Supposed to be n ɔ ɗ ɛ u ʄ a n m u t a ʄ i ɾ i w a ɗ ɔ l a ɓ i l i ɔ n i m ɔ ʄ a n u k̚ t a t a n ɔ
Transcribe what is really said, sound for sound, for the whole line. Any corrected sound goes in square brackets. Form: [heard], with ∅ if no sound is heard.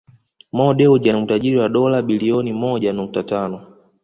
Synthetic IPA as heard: [m] ɔ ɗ ɛ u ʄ a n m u t a ʄ i ɾ i w a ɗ ɔ l a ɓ i l i ɔ n i m ɔ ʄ a n u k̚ t a t a n ɔ